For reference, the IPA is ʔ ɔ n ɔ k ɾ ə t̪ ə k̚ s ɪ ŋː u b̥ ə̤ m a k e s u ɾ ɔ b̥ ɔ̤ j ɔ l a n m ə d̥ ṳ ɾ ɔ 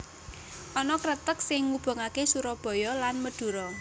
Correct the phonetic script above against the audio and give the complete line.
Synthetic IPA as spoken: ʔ ɔ n ɔ k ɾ ə t̪ ə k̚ s ɪ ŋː u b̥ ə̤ ŋ a k e s u ɾ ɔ b̥ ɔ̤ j ɔ l a n m ə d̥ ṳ ɾ ɔ